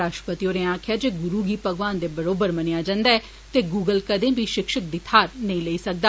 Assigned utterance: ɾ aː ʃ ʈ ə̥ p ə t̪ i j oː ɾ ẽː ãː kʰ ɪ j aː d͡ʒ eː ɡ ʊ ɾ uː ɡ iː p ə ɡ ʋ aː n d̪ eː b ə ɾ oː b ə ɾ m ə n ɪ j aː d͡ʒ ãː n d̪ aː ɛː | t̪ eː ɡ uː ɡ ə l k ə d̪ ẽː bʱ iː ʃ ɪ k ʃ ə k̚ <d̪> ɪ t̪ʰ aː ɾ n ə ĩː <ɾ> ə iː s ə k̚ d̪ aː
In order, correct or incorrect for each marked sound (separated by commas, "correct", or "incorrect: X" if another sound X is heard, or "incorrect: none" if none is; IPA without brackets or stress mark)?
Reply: correct, incorrect: l